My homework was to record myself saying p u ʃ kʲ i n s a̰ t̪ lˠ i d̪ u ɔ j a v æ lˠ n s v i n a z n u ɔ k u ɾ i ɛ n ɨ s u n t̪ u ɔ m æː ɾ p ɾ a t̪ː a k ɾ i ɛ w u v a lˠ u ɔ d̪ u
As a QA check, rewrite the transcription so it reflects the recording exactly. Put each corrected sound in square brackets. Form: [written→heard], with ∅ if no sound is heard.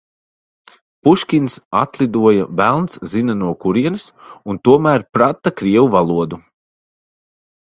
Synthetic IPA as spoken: p u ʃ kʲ i n s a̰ t̪ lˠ i d̪ u ɔ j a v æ lˠ n s [v→z] i n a [z→∅] n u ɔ k u ɾ i ɛ n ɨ s u n t̪ u ɔ m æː ɾ p ɾ a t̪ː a k ɾ i ɛ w u v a lˠ u ɔ d̪ u